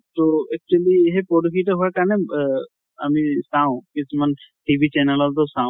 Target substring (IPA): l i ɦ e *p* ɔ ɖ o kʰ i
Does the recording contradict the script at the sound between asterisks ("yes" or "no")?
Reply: no